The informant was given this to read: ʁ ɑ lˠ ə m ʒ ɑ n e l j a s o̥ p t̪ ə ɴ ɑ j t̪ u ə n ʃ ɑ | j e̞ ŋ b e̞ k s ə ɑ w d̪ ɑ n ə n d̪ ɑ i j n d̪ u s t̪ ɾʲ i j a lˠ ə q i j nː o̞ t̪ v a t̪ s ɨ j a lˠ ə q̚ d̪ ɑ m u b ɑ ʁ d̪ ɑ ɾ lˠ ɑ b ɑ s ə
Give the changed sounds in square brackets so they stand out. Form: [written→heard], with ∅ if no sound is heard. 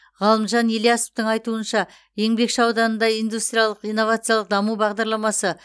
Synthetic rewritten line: ʁ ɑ lˠ ə m ʒ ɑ n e l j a s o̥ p t̪ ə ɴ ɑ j t̪ u ə n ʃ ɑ | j e̞ ŋ b e̞ k [s→ʃ] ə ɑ w d̪ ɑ n ə n d̪ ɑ i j n d̪ u s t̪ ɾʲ i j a lˠ ə q i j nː o̞ [t̪→∅] v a t̪ s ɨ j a lˠ ə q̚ d̪ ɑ m u b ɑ ʁ d̪ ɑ ɾ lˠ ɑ [b→m] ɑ s ə

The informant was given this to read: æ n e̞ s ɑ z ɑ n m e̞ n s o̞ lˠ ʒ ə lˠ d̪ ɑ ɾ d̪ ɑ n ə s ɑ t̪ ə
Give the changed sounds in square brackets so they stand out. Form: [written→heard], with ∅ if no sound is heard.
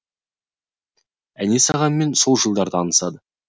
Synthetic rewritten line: æ n e̞ s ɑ [z→ʁ] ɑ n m e̞ n s o̞ lˠ ʒ ə lˠ d̪ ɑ ɾ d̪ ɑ n ə s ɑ [t̪→d̪] ə

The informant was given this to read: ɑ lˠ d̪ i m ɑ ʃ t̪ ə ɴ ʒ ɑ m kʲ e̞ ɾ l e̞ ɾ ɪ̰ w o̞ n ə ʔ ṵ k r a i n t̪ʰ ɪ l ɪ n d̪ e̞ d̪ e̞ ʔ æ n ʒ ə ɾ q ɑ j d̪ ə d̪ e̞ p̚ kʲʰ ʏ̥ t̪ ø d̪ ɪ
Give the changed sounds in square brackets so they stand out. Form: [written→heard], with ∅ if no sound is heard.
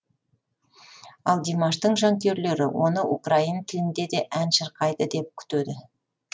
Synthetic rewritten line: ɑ lˠ d̪ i m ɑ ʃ t̪ ə ɴ ʒ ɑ [m→ŋ] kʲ e̞ ɾ l e̞ ɾ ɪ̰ w o̞ n ə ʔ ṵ k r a i n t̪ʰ ɪ l ɪ n d̪ e̞ d̪ e̞ ʔ æ n [ʒ→ʃ] ə ɾ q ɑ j d̪ ə d̪ e̞ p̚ kʲʰ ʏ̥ t̪ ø d̪ ɪ

